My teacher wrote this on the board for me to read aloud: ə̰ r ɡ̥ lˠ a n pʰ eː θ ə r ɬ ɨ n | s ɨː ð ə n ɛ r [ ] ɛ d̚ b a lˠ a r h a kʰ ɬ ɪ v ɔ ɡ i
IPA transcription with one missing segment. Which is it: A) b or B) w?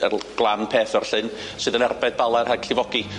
A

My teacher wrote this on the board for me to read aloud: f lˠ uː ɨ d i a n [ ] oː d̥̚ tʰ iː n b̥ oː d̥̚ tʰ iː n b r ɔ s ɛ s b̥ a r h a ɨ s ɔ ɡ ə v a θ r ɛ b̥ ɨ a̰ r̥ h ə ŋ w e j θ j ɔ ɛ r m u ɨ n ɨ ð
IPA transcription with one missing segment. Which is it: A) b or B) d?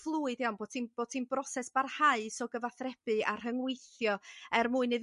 A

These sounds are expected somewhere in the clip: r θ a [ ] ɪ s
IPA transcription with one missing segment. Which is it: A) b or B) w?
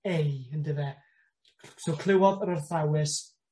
B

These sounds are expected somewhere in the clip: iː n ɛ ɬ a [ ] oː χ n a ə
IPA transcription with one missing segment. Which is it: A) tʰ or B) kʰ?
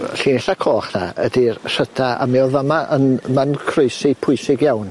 B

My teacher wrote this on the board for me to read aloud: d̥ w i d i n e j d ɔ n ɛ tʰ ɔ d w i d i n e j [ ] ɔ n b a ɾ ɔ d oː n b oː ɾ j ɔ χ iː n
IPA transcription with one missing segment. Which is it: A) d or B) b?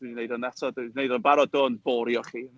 A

